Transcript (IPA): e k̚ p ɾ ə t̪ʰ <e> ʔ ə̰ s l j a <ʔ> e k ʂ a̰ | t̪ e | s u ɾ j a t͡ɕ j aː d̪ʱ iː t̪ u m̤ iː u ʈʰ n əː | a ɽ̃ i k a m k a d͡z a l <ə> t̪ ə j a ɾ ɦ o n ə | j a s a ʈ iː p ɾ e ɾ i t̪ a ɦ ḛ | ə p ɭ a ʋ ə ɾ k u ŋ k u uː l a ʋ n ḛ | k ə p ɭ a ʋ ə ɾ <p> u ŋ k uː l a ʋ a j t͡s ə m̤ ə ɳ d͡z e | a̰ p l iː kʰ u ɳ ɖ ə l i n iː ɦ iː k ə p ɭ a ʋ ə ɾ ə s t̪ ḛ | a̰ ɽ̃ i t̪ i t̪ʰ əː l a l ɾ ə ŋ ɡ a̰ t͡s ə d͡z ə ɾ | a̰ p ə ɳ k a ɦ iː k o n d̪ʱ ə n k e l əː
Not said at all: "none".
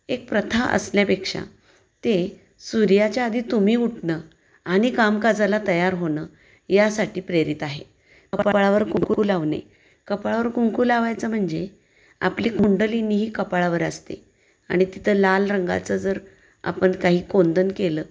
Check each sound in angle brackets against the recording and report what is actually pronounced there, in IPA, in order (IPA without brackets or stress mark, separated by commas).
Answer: a, p, a, k